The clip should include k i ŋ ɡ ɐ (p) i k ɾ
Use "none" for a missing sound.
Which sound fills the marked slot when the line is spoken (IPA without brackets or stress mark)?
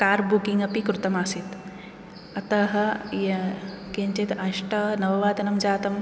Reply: p